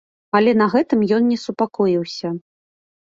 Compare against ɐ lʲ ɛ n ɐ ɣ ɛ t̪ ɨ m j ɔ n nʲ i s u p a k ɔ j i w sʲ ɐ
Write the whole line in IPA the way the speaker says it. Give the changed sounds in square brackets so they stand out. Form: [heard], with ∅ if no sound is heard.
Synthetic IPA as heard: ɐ lʲ ɛ n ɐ ɣ ɛ t̪ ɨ m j ɔ n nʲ [ɛ] s u p a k ɔ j i w sʲ ɐ